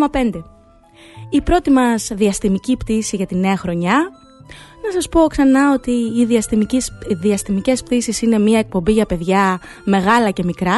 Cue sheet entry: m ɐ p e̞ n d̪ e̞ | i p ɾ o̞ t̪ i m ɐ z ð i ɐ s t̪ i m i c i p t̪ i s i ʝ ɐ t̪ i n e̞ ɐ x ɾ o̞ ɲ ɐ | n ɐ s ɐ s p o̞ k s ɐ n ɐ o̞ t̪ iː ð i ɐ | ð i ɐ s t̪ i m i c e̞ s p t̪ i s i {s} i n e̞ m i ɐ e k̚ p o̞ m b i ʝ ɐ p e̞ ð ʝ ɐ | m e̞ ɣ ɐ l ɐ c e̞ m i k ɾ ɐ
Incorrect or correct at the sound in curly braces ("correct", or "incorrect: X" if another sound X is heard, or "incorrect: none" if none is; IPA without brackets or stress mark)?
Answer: correct